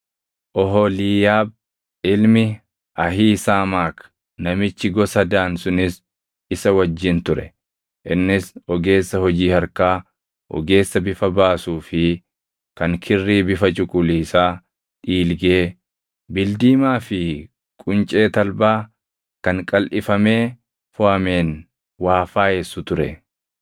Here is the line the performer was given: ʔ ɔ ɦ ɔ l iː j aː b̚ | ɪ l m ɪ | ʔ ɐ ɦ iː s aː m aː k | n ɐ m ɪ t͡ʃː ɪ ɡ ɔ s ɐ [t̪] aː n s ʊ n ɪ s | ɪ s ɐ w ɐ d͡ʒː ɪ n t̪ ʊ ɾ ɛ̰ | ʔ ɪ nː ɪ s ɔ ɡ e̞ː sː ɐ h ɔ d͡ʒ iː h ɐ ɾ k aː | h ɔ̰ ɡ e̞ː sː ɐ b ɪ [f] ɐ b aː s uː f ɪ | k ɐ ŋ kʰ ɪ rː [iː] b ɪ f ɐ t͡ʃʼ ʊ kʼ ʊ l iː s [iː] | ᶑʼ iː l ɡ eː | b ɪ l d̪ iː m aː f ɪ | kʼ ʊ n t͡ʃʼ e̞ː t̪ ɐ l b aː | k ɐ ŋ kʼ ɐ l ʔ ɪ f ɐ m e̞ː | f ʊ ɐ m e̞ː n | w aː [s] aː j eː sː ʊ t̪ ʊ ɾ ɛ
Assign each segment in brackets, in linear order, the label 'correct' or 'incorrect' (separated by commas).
incorrect, correct, correct, incorrect, incorrect